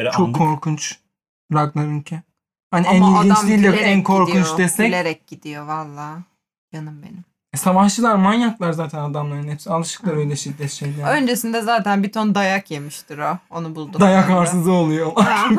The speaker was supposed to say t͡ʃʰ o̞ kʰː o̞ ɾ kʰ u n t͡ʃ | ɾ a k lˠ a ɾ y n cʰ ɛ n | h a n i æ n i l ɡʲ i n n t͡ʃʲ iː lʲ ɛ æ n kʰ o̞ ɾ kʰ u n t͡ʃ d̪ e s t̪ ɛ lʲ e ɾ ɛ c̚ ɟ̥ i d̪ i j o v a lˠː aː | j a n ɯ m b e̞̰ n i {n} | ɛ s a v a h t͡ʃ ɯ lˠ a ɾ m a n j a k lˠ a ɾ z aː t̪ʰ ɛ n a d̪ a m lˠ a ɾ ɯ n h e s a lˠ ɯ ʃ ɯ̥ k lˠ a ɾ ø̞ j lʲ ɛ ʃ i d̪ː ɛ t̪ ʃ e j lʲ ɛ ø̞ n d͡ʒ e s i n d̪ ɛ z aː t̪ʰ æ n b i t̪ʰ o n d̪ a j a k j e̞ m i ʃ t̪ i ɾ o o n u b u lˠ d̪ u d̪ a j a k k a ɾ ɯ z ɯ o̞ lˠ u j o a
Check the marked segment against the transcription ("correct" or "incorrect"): incorrect